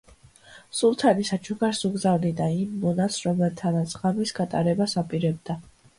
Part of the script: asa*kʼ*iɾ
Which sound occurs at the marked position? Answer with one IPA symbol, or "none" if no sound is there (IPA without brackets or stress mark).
pʼ